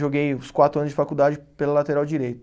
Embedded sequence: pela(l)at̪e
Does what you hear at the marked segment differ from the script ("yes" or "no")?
no